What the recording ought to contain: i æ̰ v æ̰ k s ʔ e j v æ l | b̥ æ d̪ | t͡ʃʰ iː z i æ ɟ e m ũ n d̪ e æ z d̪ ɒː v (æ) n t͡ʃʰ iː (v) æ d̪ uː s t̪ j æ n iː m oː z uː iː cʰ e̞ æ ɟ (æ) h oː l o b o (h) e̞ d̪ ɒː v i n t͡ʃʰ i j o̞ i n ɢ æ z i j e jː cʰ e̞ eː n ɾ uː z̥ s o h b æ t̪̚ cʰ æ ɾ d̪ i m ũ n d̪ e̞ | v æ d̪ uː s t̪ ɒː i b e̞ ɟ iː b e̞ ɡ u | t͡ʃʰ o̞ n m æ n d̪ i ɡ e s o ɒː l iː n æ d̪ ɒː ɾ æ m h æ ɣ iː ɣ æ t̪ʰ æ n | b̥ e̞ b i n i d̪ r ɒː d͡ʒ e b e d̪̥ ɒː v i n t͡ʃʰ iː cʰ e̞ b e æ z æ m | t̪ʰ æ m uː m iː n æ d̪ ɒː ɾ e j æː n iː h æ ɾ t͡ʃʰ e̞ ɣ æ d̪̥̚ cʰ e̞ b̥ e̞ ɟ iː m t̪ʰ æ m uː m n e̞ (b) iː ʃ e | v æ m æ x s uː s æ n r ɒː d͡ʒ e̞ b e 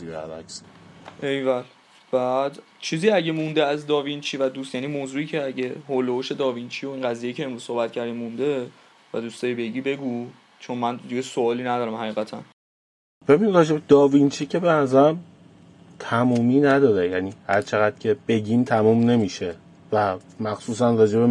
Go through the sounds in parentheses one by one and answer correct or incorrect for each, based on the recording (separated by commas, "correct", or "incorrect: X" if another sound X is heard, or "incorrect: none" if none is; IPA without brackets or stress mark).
incorrect: i, correct, incorrect: e, incorrect: ʃ, incorrect: m